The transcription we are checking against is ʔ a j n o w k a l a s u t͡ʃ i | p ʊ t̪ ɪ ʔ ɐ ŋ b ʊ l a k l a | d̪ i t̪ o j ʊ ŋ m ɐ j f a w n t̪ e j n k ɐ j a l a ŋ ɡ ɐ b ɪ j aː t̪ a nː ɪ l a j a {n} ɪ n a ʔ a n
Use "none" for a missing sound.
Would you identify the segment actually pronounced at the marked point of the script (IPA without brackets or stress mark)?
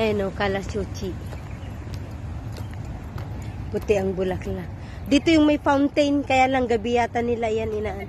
n